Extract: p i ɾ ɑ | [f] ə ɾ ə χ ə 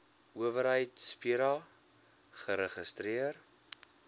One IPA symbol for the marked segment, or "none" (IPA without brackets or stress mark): χ